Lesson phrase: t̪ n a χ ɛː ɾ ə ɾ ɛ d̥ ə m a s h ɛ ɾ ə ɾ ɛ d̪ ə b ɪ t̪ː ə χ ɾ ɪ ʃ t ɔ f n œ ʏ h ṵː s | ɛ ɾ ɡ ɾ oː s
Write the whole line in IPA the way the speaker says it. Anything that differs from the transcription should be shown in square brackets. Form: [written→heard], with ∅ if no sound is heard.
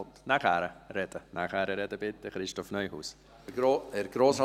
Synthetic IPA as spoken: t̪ n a χ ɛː ɾ ə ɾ ɛ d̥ ə [m→n] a [s→χ] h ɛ ɾ ə ɾ ɛ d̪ ə b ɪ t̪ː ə χ ɾ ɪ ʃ t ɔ f n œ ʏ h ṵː s | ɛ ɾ ɡ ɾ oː s

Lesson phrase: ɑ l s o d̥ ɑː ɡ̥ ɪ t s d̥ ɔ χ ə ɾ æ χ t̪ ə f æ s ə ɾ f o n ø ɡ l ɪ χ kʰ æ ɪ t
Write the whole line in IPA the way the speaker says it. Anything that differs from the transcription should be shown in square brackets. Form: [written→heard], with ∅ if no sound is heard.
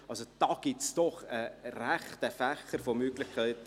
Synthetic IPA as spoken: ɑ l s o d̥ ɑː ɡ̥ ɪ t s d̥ ɔ χ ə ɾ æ χ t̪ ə f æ [s→χ] ə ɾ f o [n→m] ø ɡ l ɪ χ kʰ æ ɪ t

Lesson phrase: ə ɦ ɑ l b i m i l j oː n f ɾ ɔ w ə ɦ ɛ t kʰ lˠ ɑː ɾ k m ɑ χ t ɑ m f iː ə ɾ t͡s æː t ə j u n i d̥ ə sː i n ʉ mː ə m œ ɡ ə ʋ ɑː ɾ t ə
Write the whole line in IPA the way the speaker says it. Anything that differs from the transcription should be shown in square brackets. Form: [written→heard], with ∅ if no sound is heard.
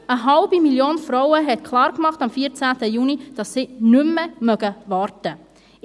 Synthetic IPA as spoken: ə ɦ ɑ l b i m i l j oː n f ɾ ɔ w ə ɦ ɛ t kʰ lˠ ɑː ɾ k m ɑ χ t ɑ m f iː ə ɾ t͡s æː t ə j u n i d̥ [ə→ɑ] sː i n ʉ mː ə m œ ɡ ə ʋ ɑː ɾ t ə

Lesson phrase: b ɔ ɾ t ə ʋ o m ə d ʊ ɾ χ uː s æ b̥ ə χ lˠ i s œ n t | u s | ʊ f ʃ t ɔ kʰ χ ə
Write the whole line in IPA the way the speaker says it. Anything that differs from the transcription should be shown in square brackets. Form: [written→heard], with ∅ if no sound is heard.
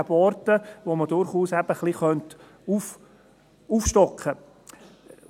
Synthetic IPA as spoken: b ɔ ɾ t ə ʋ o m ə d ʊ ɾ χ uː s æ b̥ ə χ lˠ i [s→χ] œ n t | u [s→f] | [ʊ→u] f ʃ t ɔ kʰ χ ə

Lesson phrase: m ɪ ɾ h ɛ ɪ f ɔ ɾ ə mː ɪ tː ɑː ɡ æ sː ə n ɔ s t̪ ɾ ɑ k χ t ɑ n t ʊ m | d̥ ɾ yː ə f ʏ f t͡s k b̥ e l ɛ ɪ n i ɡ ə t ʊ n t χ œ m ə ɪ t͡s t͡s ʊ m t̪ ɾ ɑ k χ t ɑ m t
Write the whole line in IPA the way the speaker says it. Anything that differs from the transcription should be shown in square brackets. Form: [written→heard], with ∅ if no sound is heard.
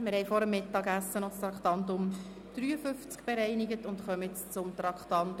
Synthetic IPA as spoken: m ɪ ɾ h ɛ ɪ f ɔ ɾ ə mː ɪ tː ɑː ɡ æ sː ə n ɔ s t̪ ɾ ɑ k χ t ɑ n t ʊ m | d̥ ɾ yː ə f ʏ f t͡s k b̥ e [l→ɾ] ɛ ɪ n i ɡ ə t ʊ n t χ œ m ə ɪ t͡s t͡s ʊ m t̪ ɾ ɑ k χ t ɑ [m→n] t

